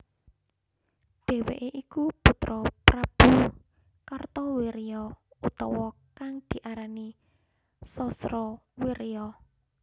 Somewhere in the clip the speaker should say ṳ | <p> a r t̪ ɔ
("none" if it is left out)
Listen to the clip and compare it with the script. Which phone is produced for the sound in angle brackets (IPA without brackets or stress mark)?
k